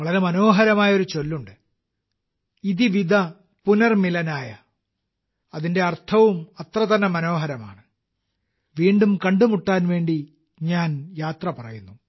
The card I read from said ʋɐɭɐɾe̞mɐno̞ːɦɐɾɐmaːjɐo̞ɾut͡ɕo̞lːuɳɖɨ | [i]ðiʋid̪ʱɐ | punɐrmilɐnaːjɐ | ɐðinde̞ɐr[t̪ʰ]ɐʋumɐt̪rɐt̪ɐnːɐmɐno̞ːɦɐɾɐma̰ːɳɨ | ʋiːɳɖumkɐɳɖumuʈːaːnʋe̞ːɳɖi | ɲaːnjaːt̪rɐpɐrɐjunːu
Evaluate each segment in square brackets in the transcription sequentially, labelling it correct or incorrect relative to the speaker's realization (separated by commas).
correct, correct